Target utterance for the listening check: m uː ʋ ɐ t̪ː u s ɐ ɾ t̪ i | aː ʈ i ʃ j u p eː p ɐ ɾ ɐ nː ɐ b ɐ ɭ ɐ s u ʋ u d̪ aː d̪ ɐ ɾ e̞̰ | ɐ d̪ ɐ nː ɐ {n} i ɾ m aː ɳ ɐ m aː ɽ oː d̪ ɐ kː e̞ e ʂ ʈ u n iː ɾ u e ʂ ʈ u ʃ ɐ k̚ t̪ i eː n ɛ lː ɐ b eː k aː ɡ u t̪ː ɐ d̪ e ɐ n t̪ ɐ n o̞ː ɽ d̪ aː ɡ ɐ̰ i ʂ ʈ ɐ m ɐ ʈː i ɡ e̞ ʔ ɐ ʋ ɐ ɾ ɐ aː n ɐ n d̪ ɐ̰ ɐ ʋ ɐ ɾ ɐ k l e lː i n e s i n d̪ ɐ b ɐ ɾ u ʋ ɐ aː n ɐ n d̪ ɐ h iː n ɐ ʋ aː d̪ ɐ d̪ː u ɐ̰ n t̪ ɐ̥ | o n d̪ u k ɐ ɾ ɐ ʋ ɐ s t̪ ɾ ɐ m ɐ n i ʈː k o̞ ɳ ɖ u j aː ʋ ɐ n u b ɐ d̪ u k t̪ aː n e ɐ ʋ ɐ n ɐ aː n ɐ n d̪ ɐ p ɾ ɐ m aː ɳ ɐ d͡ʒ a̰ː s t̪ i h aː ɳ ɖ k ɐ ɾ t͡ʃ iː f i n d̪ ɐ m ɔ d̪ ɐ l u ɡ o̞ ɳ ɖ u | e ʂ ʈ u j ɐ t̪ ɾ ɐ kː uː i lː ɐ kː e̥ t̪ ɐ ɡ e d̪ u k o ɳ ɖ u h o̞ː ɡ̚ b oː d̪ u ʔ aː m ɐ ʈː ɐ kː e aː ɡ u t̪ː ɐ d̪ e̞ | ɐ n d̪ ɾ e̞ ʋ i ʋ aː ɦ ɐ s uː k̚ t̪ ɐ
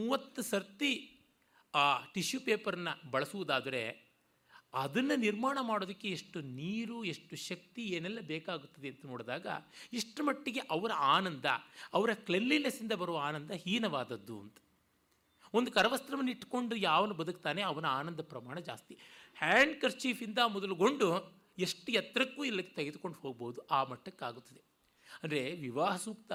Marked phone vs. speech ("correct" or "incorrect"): correct